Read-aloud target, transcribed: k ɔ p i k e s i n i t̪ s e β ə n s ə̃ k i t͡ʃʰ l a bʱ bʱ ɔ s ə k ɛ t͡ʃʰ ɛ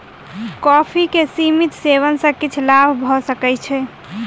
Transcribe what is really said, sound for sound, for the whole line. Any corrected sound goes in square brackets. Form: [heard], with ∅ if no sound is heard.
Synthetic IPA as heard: k ɔ [pʰ] i k e s i [m] i t̪ s e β ə n s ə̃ k i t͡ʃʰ l a bʱ bʱ ɔ s ə k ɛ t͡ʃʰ ɛ